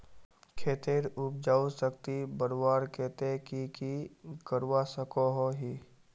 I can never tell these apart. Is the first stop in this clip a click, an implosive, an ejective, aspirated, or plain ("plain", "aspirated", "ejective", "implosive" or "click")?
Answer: aspirated